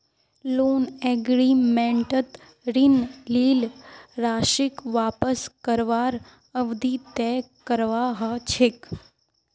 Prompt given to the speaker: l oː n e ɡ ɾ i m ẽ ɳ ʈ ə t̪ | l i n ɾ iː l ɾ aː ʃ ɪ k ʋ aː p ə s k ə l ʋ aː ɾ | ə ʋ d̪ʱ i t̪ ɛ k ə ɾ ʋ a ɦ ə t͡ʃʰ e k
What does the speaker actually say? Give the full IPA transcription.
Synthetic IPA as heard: l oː n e ɡ ɾ i m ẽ ɳ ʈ ə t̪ | ɾ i n l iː l ɾ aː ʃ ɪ k ʋ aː p ə s k ə ɾ ʋ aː ɾ | ə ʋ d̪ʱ i t̪ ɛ k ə ɾ ʋ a ɦ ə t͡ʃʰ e k